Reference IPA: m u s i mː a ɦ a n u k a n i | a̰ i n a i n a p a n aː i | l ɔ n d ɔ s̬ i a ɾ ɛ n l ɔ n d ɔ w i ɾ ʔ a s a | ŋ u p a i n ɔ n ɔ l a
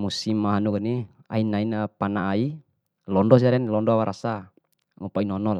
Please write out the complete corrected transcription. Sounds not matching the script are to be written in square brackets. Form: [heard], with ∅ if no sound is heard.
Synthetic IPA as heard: m u s i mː a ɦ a n u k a n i | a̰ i n a i n a p a n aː i | l ɔ n d ɔ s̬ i a ɾ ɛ n l ɔ n d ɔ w [a] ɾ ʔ a s a | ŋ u p a i n ɔ n ɔ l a

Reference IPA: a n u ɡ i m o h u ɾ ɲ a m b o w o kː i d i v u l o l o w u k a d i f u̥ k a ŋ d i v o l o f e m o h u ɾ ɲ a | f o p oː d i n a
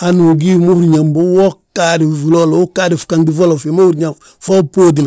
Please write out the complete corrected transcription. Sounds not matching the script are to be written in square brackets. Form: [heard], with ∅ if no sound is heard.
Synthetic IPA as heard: a n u ɡ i m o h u ɾ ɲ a m b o w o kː [a] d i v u l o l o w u k a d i f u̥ k a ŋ d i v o l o f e m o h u ɾ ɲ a | f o p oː d i n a

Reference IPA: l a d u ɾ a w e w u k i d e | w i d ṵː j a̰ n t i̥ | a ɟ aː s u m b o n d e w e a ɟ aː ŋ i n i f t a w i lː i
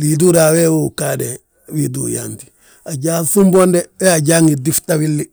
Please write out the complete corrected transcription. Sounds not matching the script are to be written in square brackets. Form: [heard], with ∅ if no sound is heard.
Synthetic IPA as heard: l [i] d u ɾ a w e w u k [a] d e | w i d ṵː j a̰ n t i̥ | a ɟ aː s u m b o n d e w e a ɟ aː ŋ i [d] i f t a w i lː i

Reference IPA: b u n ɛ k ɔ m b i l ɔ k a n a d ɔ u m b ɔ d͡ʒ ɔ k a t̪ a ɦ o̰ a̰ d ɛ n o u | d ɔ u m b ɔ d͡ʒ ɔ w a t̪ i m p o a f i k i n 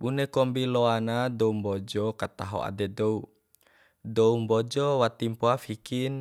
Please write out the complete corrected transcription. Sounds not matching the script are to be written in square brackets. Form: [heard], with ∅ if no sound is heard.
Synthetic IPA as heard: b u n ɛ k ɔ m b i l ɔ [∅] a n a d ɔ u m b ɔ d͡ʒ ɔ k a t̪ a ɦ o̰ a̰ d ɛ [d] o u | d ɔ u m b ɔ d͡ʒ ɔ w a t̪ i m p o a f i k i n

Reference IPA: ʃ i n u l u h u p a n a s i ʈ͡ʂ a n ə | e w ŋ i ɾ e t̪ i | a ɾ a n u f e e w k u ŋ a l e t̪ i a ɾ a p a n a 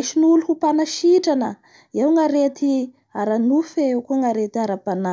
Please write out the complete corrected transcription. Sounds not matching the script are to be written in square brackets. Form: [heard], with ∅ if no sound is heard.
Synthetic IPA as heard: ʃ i n u l u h u p a n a [ʃ] i ʈ͡ʂ a n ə | e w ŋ [a] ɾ e t̪ i | a ɾ a n u f e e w k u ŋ a [ɾ] e t̪ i a ɾ a p a n a

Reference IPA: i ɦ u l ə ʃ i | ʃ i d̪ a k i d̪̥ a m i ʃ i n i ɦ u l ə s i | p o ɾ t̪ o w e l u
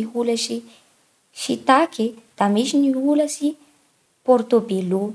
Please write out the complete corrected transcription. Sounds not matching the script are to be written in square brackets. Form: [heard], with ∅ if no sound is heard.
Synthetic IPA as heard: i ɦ u l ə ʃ i | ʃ i [t̪] a k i d̪̥ a m i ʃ i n i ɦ u l ə s i | p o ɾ t̪ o [b] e l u

